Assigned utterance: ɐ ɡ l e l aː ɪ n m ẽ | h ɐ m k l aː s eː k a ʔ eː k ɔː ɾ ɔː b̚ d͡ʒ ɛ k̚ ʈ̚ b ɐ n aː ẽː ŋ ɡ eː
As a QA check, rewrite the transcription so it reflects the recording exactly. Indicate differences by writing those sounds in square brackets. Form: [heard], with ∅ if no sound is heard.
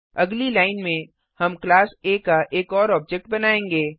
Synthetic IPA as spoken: ɐ ɡ l [i] l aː ɪ n m ẽ | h ɐ m k l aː s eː k a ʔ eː k ɔː ɾ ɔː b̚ d͡ʒ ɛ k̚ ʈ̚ b ɐ n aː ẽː ŋ ɡ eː